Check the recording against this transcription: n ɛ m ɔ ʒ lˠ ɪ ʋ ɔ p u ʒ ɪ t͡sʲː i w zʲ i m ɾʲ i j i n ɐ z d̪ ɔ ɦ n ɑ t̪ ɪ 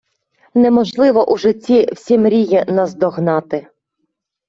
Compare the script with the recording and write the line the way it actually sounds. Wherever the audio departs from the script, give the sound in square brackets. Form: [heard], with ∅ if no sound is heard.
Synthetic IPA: n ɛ m ɔ ʒ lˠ ɪ ʋ ɔ [ʔ] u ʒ ɪ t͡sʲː i w [sʲ] i m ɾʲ i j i n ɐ z d̪ ɔ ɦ n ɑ t̪ ɪ

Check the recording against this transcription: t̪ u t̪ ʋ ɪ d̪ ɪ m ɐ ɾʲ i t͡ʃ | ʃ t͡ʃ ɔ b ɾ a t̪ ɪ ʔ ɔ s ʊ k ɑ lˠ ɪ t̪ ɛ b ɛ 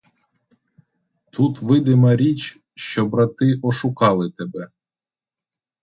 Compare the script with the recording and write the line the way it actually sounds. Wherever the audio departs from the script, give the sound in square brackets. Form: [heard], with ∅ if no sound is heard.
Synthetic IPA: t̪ u t̪ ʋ ɪ d̪ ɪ m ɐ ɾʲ i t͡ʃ | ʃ t͡ʃ ɔ b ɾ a t̪ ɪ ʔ ɔ [ʃ] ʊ k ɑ lˠ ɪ t̪ ɛ b ɛ

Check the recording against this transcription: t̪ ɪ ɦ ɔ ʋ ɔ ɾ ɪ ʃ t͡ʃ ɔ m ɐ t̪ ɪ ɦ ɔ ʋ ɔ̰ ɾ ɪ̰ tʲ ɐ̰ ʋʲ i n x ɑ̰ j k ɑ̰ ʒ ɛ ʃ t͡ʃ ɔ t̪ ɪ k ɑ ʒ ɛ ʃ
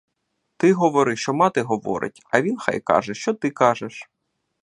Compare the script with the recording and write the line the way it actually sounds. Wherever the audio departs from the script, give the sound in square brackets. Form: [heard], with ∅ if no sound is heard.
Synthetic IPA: t̪ ɪ ɦ ɔ ʋ ɔ ɾ ɪ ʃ t͡ʃ ɔ m [ɑ] t̪ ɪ ɦ ɔ ʋ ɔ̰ ɾ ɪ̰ tʲ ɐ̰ ʋʲ i n x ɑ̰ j k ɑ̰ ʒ ɛ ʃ t͡ʃ ɔ t̪ ɪ k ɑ ʒ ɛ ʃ

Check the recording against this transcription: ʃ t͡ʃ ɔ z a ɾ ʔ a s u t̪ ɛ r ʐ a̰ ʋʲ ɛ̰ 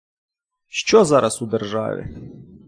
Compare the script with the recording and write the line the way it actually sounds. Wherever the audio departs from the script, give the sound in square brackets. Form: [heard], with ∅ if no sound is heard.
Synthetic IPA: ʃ t͡ʃ ɔ z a ɾ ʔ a s u [d̪] ɛ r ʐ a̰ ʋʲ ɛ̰

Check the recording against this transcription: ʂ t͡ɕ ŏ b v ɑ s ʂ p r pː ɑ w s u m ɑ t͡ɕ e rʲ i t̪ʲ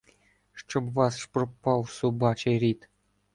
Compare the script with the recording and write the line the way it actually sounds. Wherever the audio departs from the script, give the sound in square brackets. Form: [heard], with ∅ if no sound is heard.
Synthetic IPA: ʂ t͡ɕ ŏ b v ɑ s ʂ p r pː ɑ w s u [b] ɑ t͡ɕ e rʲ i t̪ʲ

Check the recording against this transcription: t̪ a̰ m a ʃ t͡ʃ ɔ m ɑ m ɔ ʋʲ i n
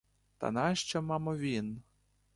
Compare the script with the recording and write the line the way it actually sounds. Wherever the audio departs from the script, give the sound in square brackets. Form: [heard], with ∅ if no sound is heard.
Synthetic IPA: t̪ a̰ [n] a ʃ t͡ʃ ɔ m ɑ m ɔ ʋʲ i n

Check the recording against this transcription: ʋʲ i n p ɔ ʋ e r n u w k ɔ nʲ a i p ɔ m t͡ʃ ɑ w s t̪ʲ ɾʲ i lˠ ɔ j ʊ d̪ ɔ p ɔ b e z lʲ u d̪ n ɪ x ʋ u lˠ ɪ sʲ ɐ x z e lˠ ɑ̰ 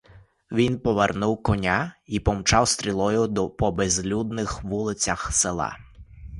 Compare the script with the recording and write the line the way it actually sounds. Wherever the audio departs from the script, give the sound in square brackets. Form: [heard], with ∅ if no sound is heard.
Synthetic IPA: ʋʲ i n p ɔ ʋ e r n u w k ɔ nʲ a i p ɔ m t͡ʃ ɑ w s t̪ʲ ɾʲ i lˠ ɔ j ʊ d̪ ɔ p ɔ b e z lʲ u d̪ n ɪ x ʋ u lˠ ɪ [t͡sʲ] ɐ x [s] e lˠ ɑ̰

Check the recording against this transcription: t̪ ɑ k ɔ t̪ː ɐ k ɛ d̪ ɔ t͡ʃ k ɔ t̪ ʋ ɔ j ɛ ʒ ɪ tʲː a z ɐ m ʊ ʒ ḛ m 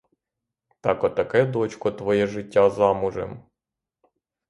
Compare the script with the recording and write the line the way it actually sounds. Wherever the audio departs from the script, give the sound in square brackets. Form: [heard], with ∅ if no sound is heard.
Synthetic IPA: t̪ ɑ k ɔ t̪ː ɐ k ɛ d̪ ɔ t͡ʃ k ɔ t̪ ʋ ɔ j ɛ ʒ ɪ tʲː a z [ɑ] m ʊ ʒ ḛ m

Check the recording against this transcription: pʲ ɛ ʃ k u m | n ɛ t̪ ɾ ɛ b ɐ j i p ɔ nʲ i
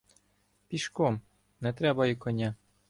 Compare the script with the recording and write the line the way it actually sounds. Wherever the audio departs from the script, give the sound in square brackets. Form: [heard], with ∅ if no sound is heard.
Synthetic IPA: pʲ [i] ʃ k [ɔ] m | n ɛ t̪ ɾ ɛ b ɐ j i [k] ɔ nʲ [a]

